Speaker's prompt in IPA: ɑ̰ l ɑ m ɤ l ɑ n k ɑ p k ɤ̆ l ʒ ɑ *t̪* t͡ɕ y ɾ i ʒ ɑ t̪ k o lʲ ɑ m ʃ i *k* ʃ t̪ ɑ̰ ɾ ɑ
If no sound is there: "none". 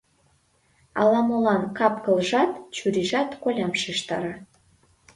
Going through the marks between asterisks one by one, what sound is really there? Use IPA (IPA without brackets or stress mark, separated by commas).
t̪, none